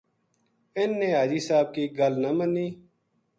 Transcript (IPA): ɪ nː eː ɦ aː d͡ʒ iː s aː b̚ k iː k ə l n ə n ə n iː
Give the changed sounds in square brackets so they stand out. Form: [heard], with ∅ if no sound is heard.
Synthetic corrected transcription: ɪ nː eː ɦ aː d͡ʒ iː s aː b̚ k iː [ɡ] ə l n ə [m] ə n iː